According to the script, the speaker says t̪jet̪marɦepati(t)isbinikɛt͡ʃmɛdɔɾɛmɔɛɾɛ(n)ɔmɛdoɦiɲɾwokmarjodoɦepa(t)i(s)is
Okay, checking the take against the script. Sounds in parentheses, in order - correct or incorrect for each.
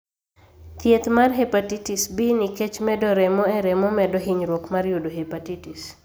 correct, incorrect: m, correct, incorrect: t

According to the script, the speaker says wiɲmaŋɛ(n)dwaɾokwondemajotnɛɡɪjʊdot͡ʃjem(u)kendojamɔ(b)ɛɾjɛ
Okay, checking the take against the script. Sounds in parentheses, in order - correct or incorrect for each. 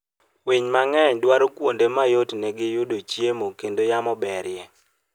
incorrect: ɲ, incorrect: o, correct

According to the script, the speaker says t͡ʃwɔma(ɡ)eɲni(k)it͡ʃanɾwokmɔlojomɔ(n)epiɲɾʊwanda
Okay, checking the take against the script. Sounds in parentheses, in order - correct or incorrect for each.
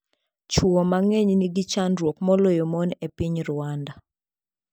incorrect: ŋ, incorrect: ɡ, correct

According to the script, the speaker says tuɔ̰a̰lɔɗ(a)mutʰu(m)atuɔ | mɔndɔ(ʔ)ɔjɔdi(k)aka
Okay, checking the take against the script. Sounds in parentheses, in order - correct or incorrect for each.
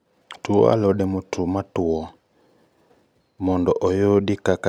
incorrect: ɛ, correct, correct, correct

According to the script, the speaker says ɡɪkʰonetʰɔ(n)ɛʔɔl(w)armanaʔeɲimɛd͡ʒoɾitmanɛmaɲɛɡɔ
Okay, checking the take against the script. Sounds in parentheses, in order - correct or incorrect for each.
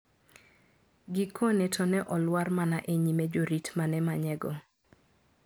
correct, correct

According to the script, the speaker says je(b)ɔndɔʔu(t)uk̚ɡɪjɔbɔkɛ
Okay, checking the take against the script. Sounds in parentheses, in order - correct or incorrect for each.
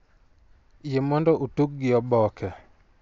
incorrect: m, correct

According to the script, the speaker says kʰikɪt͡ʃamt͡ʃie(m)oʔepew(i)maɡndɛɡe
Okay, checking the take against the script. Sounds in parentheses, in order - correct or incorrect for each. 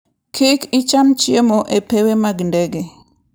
correct, incorrect: e

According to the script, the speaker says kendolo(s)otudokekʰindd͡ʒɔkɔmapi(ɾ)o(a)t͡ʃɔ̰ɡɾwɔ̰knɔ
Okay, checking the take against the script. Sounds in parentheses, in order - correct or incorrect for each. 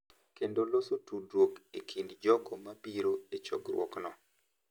correct, correct, incorrect: e

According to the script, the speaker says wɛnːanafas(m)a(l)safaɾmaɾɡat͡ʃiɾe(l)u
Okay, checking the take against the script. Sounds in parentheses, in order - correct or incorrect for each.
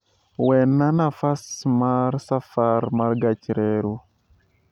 correct, incorrect: ɾ, incorrect: ɾ

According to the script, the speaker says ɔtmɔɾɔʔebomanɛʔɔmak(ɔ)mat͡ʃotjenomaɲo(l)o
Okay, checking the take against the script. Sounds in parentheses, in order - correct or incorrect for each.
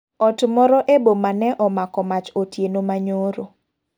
correct, incorrect: ɾ

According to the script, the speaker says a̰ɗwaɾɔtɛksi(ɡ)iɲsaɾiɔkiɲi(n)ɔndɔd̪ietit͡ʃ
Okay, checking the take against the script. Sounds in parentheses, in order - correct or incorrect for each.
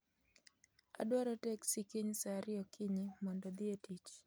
incorrect: k, incorrect: m

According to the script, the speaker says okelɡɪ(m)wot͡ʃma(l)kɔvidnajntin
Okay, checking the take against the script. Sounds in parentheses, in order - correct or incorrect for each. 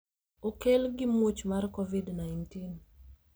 correct, incorrect: r

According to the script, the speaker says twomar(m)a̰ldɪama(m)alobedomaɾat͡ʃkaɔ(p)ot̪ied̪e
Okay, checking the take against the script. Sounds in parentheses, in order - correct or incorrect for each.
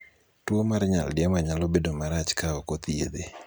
incorrect: ɲ, incorrect: ɲ, incorrect: k

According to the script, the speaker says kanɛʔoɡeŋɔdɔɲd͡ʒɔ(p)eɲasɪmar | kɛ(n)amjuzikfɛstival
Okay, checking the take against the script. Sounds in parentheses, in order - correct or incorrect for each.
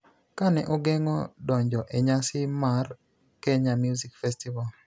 incorrect: ʔ, incorrect: ɲ

